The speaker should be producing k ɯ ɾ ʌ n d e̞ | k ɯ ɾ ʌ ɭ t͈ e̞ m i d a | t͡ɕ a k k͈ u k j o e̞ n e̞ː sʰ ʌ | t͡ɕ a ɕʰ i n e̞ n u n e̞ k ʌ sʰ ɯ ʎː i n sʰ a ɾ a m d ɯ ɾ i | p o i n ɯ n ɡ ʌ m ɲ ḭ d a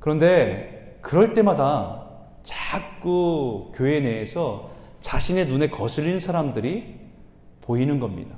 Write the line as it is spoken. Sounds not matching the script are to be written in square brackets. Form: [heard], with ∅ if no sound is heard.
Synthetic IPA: k ɯ ɾ ʌ n d e̞ | k ɯ ɾ ʌ ɭ t͈ e̞ m [a] d a | t͡ɕ a k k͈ u k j o e̞ n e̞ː sʰ ʌ | t͡ɕ a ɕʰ i n e̞ n u n e̞ k ʌ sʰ ɯ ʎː i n sʰ a ɾ a m d ɯ ɾ i | p o i n ɯ n ɡ ʌ m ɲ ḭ d a